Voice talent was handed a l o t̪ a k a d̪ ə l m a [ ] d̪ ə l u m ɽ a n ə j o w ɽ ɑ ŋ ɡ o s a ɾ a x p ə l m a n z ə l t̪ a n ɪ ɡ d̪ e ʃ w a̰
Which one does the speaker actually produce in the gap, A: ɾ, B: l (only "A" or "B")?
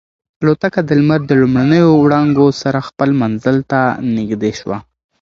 A